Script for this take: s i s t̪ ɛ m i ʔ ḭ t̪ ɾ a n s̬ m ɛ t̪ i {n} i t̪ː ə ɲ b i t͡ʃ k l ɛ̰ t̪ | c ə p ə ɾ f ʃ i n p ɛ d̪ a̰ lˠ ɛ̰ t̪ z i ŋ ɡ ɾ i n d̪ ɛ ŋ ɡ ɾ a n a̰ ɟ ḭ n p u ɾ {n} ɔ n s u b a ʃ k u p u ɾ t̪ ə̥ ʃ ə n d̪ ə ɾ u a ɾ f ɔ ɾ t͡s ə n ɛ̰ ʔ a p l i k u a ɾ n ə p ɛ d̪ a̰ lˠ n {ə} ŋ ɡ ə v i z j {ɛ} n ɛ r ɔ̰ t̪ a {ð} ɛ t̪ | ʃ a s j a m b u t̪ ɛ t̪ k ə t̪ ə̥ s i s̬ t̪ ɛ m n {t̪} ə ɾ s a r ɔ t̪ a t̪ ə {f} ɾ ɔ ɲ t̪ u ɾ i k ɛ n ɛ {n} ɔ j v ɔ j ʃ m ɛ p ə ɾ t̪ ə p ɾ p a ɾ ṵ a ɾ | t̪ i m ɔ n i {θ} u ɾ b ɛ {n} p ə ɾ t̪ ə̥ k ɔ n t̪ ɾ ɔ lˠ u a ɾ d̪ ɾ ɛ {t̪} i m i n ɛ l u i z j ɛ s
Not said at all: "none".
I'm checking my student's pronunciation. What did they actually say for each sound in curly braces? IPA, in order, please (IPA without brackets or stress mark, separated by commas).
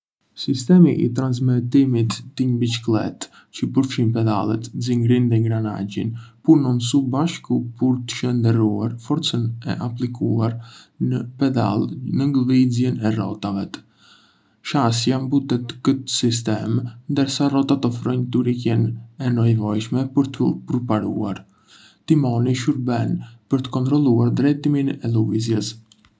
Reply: m, n, ə, ɛ, v, d̪, f, n, ʃ, n, t̪